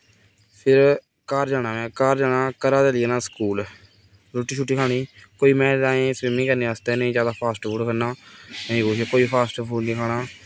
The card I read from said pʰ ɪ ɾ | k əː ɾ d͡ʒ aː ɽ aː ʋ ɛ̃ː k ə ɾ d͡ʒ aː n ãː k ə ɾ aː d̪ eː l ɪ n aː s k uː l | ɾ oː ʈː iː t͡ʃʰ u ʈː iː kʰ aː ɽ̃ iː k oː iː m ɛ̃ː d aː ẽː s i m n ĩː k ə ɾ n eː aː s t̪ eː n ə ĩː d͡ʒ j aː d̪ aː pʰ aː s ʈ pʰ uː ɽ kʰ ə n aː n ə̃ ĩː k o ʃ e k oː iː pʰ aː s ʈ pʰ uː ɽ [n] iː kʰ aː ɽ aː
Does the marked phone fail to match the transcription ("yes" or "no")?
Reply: no